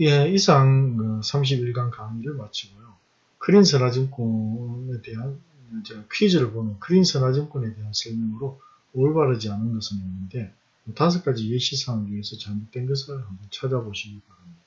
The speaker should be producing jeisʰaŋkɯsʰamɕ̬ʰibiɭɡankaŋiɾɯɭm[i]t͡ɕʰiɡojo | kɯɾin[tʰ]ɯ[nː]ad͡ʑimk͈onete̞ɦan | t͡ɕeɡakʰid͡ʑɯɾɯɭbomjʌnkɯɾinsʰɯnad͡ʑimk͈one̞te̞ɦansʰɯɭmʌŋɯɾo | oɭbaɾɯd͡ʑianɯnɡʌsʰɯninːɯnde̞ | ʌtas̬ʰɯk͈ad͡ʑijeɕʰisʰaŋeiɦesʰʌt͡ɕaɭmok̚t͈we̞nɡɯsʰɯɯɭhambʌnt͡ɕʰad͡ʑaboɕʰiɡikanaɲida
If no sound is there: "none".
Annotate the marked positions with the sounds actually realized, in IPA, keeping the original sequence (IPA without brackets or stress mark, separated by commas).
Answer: a, sʰ, n